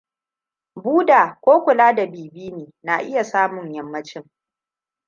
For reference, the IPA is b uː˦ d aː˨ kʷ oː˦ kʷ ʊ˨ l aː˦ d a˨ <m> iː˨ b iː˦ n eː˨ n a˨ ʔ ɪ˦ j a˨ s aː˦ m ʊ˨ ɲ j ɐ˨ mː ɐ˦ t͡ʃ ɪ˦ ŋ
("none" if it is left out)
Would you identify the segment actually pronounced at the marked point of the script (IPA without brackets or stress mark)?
b